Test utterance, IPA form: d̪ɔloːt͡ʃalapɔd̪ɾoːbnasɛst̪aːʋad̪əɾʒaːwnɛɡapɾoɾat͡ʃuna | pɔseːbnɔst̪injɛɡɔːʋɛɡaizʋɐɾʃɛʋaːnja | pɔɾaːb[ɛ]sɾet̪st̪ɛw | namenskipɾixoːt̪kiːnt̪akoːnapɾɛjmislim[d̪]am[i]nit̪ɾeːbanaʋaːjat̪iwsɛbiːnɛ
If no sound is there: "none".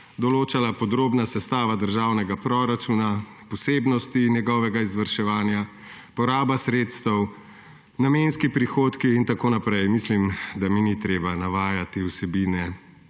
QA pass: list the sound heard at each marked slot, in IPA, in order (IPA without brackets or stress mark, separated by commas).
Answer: a, d̪, i